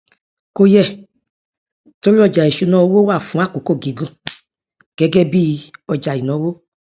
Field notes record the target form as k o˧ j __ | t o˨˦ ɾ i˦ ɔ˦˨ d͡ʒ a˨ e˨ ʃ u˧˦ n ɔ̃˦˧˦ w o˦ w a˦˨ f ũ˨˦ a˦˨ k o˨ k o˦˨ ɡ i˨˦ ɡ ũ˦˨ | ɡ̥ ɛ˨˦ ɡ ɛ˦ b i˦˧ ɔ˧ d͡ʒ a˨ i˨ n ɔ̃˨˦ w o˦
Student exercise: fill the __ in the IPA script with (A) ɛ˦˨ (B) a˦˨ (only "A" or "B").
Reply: A